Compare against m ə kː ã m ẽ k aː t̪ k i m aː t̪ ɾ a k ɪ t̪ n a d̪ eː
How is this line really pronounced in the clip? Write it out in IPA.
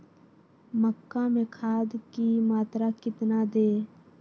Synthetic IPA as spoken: m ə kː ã m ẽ kʰ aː d̪ k i m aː t̪ ɾ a k ɪ t̪ n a d̪ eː